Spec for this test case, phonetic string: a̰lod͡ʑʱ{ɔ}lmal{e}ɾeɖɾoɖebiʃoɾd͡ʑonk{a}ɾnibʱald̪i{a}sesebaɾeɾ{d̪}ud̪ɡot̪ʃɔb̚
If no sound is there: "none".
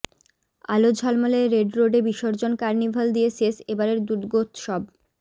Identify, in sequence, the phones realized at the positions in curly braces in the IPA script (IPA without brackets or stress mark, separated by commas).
ɔ, e, a, e, d̪